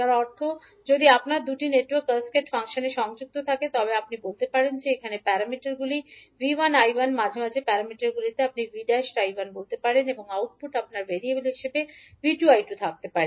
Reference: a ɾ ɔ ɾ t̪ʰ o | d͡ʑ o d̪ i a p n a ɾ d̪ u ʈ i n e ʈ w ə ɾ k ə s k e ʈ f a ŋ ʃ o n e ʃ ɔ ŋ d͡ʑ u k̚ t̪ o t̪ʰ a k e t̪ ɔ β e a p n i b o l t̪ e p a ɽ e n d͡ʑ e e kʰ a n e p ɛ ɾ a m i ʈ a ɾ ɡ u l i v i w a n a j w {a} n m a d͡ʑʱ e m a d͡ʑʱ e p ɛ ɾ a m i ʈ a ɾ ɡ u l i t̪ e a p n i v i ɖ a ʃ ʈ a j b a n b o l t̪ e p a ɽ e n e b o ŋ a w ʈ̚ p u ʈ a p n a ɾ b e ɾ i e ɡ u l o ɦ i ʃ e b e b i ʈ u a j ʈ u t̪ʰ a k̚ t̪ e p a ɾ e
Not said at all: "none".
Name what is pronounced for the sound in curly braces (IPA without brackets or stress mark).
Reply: a